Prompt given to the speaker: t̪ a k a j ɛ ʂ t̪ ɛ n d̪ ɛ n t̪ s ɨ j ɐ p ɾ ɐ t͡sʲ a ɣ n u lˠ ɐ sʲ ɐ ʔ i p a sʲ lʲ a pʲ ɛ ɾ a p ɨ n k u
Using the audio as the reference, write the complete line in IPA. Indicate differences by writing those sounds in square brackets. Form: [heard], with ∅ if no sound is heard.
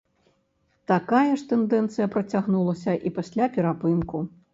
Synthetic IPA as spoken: t̪ a k a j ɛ ʂ t̪ ɛ n d̪ ɛ n t̪ s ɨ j ɐ p ɾ ɐ t͡sʲ a ɣ n u lˠ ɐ sʲ ɐ ʔ i p a sʲ lʲ a pʲ ɛ ɾ a p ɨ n k u